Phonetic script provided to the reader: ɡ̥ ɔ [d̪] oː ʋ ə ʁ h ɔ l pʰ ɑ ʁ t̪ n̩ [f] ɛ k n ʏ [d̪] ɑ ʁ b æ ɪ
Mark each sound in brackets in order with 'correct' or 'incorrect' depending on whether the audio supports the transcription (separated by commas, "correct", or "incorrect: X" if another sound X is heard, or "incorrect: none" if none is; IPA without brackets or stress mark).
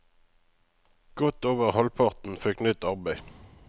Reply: incorrect: t̪, correct, incorrect: t̪